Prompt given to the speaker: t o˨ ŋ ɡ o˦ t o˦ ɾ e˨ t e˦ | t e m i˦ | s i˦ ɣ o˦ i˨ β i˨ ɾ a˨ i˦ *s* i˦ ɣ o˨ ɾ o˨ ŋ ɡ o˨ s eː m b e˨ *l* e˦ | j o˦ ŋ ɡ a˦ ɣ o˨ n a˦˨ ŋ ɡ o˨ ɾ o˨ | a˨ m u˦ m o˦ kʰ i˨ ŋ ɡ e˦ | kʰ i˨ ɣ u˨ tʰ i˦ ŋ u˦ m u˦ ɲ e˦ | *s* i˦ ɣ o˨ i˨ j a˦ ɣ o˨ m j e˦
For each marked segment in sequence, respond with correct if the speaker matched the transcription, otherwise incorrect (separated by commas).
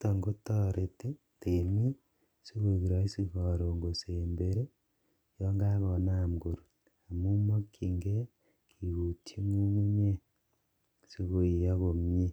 correct, incorrect, correct